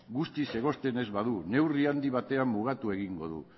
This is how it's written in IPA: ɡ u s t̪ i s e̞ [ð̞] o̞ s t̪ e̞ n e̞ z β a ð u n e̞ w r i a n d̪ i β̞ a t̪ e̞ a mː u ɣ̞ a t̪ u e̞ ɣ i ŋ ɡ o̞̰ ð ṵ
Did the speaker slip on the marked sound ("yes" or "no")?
yes